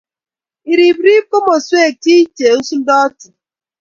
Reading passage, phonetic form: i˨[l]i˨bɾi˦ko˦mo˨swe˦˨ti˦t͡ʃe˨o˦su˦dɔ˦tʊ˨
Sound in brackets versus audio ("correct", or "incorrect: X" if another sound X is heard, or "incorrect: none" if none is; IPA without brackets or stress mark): incorrect: ɾ